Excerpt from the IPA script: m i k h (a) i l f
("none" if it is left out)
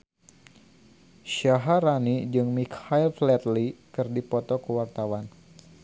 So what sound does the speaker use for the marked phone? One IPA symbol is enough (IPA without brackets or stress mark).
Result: a